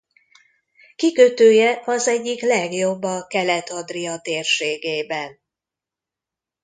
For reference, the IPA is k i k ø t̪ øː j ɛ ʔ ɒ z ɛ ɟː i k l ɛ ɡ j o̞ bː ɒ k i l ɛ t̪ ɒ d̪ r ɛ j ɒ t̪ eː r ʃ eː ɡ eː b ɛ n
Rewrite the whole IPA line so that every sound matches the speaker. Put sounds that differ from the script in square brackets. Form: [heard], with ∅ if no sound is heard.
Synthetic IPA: k i k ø t̪ øː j ɛ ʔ ɒ z ɛ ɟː i k l ɛ ɡ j o̞ bː ɒ k [ɛ] l ɛ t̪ ɒ d̪ r [i] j ɒ t̪ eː r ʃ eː ɡ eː b ɛ n